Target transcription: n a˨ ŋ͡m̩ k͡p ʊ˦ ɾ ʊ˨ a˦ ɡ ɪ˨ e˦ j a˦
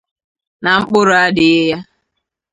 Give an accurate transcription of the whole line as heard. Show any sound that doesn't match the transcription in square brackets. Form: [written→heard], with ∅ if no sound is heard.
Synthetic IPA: n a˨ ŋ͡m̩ k͡p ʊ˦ ɾ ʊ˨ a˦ [ɡ→d] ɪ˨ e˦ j a˦